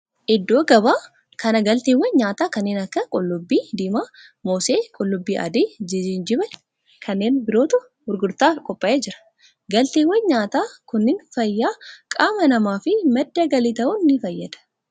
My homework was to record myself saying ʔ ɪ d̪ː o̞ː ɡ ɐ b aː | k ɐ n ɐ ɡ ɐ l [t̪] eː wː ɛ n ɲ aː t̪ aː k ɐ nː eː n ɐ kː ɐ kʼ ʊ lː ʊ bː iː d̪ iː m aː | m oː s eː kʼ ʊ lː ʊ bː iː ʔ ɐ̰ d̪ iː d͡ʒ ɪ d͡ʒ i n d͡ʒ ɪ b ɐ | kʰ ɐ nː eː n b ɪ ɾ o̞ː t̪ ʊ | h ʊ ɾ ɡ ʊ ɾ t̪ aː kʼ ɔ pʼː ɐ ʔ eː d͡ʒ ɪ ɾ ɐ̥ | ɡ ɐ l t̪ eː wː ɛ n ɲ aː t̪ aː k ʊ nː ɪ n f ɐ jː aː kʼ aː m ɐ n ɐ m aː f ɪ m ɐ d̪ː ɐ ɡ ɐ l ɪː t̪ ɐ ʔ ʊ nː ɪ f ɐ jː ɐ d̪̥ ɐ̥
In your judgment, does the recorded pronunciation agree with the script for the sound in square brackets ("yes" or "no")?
yes